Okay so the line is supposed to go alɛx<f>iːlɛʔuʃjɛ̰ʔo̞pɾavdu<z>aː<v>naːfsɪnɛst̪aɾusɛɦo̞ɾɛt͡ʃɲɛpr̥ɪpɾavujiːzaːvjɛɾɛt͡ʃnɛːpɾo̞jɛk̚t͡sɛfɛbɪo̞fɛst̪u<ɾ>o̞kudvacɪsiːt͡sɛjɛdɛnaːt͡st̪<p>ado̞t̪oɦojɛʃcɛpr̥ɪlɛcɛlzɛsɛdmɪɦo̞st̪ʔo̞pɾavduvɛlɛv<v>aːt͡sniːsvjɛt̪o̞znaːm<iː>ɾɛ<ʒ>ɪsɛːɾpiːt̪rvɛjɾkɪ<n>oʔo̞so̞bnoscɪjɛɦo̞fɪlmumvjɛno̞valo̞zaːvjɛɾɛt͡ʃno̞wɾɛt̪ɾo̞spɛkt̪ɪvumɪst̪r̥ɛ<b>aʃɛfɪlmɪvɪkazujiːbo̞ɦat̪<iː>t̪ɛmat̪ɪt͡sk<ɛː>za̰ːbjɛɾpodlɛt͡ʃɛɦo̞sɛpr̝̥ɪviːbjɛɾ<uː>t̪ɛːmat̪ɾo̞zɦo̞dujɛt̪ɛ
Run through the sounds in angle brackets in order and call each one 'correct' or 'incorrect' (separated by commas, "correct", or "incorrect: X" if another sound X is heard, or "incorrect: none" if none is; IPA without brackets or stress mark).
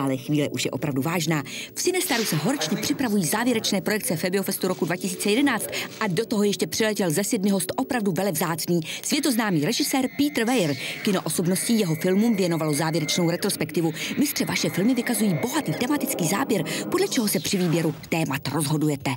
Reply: incorrect: v, incorrect: v, incorrect: ʒ, correct, incorrect: ʔ, incorrect: z, correct, correct, correct, incorrect: v, correct, incorrect: iː, incorrect: u